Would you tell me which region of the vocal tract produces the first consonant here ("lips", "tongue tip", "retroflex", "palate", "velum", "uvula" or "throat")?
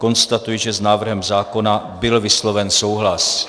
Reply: velum